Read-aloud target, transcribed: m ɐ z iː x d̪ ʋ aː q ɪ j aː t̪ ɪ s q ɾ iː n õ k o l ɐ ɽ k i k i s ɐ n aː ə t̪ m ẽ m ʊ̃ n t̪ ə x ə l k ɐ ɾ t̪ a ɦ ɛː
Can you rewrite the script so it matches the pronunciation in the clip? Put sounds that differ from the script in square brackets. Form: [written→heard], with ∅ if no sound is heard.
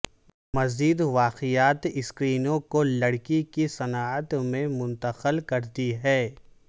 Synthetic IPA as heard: m ɐ z iː [x→∅] d̪ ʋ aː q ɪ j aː t̪ ɪ s [q→k] ɾ iː n õ k o l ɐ ɽ k i k i s ɐ n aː ə t̪ m ẽ m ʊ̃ n t̪ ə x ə l k ɐ ɾ t̪ [a→i] ɦ ɛː

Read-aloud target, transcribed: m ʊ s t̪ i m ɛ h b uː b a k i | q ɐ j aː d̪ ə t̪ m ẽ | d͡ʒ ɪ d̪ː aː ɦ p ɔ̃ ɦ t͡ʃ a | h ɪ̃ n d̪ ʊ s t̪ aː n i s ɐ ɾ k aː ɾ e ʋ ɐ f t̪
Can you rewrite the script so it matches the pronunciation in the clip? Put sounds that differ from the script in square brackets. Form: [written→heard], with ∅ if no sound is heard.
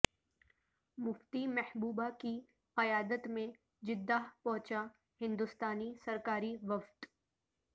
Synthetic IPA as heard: m ʊ [s→f] t̪ i m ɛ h b uː b a k i | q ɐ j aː d̪ ə t̪ m ẽ | d͡ʒ ɪ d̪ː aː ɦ p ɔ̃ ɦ t͡ʃ a | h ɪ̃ n d̪ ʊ s t̪ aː n i s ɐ ɾ k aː ɾ [e→i] ʋ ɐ f t̪

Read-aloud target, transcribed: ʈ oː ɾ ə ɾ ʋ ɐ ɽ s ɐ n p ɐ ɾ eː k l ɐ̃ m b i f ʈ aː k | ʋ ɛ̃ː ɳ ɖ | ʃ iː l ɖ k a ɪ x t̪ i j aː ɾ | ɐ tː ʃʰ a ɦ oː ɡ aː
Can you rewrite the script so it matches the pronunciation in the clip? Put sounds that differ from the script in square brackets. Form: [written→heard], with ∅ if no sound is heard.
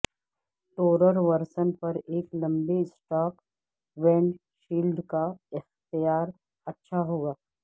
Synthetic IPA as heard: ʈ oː ɾ ə ɾ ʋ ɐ [ɽ→ɾ] s [ɐ→ə] n p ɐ ɾ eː k l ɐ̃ m b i [f→s] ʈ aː k | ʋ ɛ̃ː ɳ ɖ | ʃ iː l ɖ k a ɪ x t̪ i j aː ɾ | ɐ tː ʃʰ a ɦ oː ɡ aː

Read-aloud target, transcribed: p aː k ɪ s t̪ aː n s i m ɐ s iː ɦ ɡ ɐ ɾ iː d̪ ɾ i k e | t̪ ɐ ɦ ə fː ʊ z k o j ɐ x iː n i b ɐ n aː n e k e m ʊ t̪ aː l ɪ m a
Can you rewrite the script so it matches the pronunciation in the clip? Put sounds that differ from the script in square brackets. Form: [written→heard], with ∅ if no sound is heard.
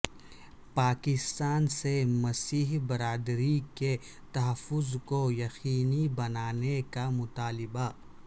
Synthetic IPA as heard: p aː k ɪ s t̪ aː n s [i→e] m ɐ s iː ɦ [ɡ→b] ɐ ɾ [iː→aː] d̪ ɾ i k e | t̪ ɐ ɦ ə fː ʊ z k o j ɐ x iː n i b ɐ n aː n e k [e→a] m ʊ t̪ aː l ɪ [m→b] a

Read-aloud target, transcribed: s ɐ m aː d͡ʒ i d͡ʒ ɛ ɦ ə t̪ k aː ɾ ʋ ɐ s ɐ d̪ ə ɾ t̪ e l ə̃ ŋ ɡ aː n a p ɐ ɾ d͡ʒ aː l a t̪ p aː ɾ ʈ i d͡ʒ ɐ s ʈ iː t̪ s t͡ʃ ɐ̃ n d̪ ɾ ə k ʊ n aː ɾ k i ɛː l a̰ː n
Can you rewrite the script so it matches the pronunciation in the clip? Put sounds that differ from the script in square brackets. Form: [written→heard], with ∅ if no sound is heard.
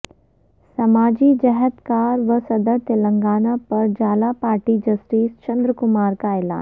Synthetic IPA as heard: s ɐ m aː d͡ʒ i d͡ʒ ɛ ɦ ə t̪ k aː ɾ ʋ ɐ s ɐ d̪ ə ɾ t̪ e l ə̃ ŋ ɡ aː n a p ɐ ɾ d͡ʒ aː l a [t̪→∅] p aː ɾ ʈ i d͡ʒ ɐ s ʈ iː [t̪→∅] s t͡ʃ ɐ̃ n d̪ ɾ ə k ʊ [n→m] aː ɾ k [i→a] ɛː l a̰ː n

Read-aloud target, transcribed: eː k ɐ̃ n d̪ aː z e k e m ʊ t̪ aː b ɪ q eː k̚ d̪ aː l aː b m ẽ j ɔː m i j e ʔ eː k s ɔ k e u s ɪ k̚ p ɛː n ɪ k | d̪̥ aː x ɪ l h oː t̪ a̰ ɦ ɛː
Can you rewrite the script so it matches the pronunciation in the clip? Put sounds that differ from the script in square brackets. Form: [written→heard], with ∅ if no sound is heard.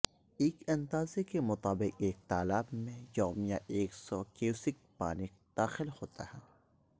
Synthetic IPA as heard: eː k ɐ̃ n d̪ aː z e k e m ʊ t̪ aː b ɪ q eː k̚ [d̪→t̪] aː l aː b m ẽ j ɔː m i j [e→a] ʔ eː k s ɔ k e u s ɪ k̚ p [ɛː→aː] n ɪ k | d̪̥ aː x ɪ l h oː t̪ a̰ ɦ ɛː

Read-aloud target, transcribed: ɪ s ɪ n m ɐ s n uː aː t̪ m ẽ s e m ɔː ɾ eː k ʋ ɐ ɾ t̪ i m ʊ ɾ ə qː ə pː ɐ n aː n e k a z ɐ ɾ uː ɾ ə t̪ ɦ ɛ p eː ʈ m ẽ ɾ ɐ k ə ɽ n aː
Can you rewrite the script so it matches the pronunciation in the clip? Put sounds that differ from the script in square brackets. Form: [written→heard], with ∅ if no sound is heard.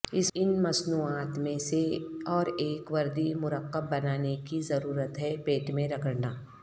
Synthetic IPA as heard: ɪ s ɪ n m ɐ s n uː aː t̪ m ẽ s e [m→∅] ɔː ɾ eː k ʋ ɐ ɾ [t̪→d̪] i m ʊ ɾ ə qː ə [pː→bː] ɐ n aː n e k [a→i] z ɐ ɾ uː ɾ ə t̪ ɦ ɛ p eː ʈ m ẽ ɾ ɐ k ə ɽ n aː

